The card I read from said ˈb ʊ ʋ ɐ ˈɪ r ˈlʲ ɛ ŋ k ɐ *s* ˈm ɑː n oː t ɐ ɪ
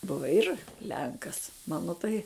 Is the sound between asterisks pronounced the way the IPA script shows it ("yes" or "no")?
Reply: yes